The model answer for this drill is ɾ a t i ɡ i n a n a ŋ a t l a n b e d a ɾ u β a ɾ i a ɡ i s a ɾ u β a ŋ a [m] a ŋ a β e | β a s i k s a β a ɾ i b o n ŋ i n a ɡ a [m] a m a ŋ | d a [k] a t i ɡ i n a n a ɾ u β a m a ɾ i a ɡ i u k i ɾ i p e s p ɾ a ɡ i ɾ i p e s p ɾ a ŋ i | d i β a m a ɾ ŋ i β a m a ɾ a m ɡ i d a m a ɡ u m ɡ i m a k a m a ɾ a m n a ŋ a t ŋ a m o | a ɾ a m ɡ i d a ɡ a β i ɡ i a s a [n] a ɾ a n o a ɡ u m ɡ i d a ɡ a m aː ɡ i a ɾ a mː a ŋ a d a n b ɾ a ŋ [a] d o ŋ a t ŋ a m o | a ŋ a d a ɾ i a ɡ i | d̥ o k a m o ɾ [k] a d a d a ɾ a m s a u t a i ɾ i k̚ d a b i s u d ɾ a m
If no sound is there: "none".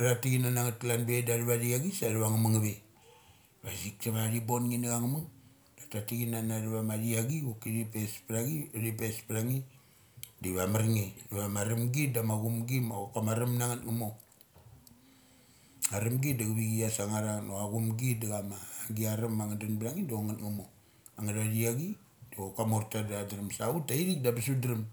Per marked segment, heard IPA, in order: m, ŋ, t, ŋ, i, t

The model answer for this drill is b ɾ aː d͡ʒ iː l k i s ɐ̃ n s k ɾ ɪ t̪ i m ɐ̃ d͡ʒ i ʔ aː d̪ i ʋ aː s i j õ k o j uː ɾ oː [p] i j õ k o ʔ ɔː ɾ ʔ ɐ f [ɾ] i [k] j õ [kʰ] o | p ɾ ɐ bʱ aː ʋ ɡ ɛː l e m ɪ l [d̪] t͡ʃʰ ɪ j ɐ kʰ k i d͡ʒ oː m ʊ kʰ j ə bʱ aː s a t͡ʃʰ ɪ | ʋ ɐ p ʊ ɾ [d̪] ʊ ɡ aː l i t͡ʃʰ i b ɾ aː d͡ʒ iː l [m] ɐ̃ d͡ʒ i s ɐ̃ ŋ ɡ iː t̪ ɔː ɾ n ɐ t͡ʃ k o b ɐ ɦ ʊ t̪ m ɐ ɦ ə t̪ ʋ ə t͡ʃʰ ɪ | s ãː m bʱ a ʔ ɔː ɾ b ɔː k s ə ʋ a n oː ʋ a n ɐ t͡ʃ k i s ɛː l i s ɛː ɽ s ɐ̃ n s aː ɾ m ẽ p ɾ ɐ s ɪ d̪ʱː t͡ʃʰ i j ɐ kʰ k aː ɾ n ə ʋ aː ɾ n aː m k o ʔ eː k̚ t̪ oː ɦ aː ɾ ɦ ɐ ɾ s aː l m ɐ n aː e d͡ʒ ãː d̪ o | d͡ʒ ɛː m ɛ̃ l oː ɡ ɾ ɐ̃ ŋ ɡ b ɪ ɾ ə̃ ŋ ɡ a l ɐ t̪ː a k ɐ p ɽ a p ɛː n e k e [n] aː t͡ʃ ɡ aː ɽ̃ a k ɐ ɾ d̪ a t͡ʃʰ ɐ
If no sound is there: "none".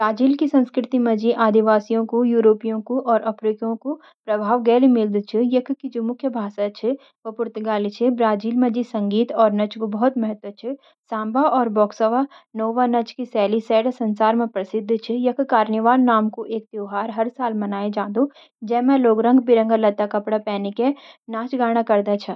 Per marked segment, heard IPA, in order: p, ɾ, k, k, d̪, t̪, m, n

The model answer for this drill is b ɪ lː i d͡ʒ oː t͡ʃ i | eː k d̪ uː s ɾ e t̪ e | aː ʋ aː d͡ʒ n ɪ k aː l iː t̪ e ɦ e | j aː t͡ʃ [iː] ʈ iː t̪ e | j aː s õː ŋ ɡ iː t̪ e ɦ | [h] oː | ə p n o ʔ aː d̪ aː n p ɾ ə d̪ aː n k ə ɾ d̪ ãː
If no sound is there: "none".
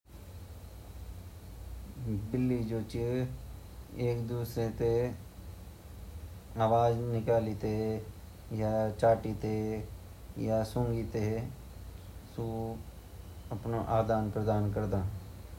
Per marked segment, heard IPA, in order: aː, s

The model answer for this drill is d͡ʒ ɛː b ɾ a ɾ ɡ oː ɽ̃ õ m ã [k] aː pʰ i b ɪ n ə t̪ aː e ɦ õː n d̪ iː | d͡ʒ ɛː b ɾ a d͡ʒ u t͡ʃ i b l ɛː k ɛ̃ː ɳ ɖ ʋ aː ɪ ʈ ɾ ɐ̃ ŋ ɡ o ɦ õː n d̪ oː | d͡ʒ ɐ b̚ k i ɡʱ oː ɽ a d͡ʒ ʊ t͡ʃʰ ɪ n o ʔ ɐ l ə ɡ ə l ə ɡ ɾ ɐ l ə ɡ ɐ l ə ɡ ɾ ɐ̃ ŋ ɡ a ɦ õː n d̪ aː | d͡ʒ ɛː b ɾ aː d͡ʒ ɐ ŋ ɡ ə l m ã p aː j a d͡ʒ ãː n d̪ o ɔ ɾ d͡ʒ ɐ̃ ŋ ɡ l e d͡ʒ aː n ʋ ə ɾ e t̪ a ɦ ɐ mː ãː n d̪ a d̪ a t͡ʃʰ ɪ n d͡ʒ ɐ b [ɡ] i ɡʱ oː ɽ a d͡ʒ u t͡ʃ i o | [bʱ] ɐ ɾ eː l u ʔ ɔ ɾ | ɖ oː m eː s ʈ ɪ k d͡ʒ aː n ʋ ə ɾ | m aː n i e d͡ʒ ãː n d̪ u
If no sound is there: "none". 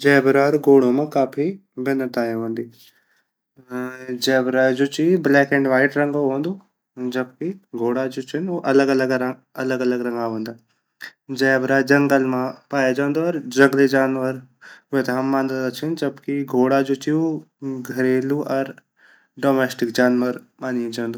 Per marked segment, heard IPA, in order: k, k, ɡʱ

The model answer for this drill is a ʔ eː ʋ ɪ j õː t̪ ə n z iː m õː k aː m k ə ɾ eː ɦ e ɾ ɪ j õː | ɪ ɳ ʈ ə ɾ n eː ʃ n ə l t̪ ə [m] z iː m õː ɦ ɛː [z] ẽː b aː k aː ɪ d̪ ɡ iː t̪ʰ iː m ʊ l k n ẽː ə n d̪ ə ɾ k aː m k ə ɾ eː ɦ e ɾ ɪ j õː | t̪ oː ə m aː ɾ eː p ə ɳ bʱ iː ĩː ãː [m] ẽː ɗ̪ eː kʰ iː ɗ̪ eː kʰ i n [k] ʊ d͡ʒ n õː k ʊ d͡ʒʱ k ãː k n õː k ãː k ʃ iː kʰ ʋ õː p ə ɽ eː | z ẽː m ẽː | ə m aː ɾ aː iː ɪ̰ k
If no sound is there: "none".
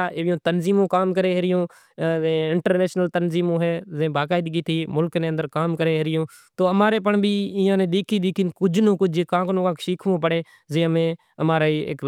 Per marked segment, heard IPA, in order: n, z, n, k

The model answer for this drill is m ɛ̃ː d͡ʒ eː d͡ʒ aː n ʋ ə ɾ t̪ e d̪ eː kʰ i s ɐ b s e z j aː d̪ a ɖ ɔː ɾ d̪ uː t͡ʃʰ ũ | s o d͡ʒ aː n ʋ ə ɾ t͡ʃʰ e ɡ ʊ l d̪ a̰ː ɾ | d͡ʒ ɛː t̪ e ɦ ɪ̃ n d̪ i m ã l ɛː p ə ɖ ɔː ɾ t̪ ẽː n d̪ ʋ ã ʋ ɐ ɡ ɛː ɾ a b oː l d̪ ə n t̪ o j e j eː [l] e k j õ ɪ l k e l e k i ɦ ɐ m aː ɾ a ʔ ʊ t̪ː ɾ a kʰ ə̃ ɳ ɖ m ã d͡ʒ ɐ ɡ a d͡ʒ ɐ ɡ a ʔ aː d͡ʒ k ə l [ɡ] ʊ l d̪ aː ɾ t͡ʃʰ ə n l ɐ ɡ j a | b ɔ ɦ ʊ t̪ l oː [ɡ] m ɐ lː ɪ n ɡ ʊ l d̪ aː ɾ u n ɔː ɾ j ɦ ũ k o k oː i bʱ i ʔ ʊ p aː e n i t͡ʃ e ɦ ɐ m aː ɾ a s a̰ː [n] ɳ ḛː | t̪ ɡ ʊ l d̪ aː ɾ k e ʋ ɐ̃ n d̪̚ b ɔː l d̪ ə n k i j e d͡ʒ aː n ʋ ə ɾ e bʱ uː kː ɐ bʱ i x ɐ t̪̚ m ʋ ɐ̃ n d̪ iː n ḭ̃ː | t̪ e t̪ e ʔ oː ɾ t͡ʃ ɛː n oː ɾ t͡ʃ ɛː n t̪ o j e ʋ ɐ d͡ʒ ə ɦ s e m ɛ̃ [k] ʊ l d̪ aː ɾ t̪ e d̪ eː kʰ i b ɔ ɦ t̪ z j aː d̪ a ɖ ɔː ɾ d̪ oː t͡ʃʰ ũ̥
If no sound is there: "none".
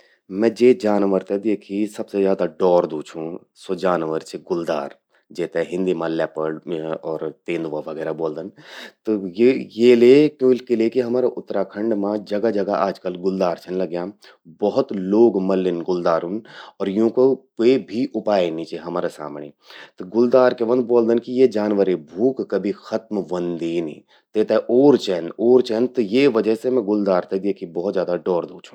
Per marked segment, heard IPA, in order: l, ɡ, ɡ, m, ɡ

